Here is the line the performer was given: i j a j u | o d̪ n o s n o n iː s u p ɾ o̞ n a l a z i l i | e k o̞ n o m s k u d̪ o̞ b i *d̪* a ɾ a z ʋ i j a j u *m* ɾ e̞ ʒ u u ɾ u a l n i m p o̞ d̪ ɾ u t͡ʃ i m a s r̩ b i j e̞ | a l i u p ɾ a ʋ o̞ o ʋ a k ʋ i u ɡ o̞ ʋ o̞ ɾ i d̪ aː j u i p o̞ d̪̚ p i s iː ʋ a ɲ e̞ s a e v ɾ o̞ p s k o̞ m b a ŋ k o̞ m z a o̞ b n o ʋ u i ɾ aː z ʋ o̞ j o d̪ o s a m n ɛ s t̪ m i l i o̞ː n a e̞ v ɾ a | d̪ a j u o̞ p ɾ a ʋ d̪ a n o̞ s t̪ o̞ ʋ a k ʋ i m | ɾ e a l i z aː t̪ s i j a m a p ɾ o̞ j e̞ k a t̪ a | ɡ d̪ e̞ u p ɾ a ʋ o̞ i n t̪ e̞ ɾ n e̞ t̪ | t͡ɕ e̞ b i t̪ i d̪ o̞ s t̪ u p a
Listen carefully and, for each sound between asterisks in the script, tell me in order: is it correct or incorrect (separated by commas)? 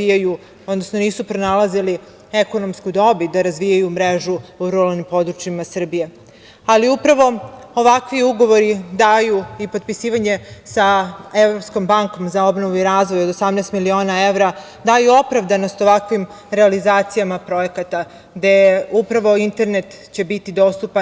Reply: correct, correct